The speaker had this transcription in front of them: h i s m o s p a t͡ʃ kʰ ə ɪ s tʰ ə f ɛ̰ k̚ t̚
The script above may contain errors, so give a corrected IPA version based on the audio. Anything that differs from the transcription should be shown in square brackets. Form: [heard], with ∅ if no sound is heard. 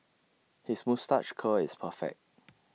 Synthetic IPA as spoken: h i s m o s [t] a t͡ʃ kʰ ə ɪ s [pʰ] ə f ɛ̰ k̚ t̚